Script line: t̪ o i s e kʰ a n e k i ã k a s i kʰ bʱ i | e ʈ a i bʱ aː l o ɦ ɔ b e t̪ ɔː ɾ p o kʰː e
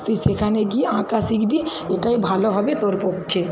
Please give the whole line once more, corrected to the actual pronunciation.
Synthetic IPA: t̪ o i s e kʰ a n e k i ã k a s i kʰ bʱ i | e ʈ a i bʱ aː l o ɦ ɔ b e t̪ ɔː ɾ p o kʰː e